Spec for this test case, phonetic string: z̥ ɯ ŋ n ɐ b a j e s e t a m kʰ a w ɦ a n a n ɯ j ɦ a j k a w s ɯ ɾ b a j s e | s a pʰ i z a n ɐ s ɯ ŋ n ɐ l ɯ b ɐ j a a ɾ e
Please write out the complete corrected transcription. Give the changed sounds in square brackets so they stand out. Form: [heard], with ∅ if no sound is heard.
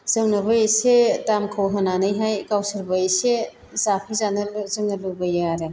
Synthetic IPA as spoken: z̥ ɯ ŋ n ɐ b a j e s e t a m kʰ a w ɦ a n a n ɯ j ɦ a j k a w s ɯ ɾ b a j s e | [z] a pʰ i z a n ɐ [z] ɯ ŋ n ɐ l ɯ b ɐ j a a ɾ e